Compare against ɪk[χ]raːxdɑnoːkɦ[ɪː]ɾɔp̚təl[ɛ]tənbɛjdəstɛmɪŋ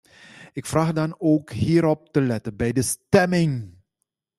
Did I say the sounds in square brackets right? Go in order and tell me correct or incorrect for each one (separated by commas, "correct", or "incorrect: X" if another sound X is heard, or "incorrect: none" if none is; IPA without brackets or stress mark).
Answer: incorrect: f, incorrect: iː, correct